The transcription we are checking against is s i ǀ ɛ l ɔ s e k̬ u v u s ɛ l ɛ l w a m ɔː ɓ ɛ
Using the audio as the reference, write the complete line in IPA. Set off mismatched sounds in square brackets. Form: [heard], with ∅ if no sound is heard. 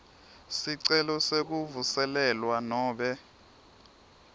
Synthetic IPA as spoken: s i ǀ ɛ l ɔ s e k̬ u v u s ɛ l ɛ l w a [n] ɔː ɓ ɛ